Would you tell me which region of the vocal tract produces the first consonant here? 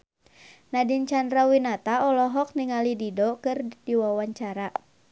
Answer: tongue tip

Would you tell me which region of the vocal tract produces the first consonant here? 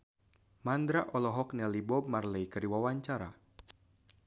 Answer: lips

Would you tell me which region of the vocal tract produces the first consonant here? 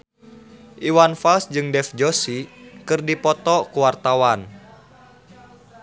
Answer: throat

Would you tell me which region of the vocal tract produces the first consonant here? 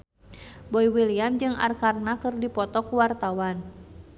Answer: lips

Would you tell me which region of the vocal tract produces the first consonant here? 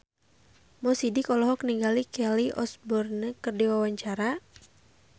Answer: lips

